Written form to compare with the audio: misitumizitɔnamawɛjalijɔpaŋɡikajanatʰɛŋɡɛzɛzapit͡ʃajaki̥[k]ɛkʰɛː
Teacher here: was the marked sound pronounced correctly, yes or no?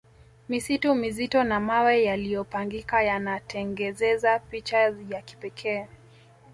no